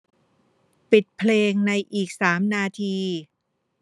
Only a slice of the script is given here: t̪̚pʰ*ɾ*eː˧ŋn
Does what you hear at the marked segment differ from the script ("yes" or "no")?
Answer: yes